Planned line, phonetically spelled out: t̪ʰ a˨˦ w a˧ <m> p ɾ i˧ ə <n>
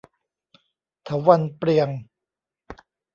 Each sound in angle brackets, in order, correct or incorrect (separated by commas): incorrect, incorrect